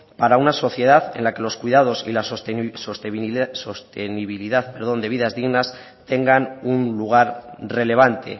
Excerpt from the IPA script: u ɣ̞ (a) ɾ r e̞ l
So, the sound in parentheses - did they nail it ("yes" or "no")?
yes